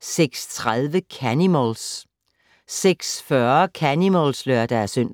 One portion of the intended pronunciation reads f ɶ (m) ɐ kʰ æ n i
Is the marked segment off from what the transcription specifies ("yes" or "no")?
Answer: yes